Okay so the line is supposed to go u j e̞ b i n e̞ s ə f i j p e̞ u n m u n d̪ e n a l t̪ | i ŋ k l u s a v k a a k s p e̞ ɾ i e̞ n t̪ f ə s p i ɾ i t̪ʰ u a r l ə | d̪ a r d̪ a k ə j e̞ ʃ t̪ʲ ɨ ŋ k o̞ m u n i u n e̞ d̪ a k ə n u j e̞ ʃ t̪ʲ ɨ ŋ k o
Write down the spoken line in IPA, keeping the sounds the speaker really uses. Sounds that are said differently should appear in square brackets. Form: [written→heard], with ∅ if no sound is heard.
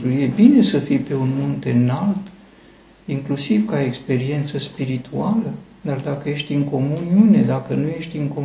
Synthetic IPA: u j e̞ b i n e̞ s ə f i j p e̞ u n m u n [d̪→t̪] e n a l t̪ | i ŋ k l u s [a→i] v k a [a→e] k s p e̞ ɾ i e̞ n t̪ [f→s] ə s p i ɾ i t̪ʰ u a [r→∅] l ə | d̪ a r d̪ a k ə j e̞ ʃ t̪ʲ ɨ ŋ k o̞ m u n i u n e̞ d̪ a k ə n u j e̞ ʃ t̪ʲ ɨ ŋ k o